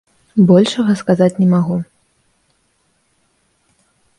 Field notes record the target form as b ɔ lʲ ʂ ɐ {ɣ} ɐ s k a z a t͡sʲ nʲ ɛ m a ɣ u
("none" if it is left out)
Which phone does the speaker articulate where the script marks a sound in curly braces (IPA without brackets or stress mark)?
ɣ